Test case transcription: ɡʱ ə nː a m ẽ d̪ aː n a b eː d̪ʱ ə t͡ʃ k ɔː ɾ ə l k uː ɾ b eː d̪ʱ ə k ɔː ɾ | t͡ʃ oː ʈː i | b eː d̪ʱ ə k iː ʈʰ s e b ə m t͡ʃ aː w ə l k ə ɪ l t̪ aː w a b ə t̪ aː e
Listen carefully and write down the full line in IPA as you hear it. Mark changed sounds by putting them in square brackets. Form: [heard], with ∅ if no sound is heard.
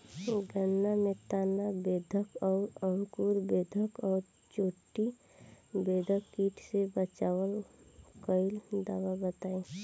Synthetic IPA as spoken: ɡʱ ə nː a m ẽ [t̪] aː n a b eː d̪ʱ ə [∅] k ɔː ɾ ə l k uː ɾ b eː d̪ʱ ə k ɔː ɾ | t͡ʃ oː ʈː i | b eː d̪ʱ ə k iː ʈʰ s e b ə [∅] t͡ʃ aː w ə l k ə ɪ l [d̪] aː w a b ə t̪ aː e